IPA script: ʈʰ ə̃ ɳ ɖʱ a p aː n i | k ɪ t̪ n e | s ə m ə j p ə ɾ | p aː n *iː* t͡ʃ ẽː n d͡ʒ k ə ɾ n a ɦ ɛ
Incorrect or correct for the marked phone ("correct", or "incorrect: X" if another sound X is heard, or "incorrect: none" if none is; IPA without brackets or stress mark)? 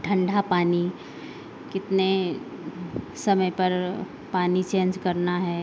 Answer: incorrect: i